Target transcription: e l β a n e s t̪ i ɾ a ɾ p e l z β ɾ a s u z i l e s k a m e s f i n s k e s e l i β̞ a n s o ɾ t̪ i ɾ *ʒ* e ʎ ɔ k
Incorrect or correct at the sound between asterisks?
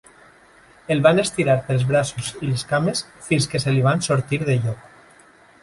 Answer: incorrect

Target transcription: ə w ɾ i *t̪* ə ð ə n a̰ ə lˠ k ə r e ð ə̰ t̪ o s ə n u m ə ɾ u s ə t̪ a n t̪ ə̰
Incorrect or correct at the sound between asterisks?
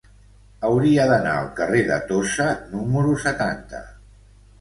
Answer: incorrect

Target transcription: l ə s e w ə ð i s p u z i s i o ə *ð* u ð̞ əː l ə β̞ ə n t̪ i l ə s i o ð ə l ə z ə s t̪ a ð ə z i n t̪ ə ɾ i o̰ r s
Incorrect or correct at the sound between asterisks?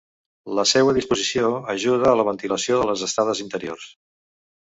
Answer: incorrect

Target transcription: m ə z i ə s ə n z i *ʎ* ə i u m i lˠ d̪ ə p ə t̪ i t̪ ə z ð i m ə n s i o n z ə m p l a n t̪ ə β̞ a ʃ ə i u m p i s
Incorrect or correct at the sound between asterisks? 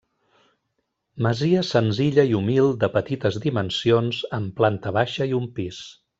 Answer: correct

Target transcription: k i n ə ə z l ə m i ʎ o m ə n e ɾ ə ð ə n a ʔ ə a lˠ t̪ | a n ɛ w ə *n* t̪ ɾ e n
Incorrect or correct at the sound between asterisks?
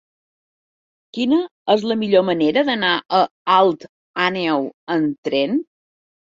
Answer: correct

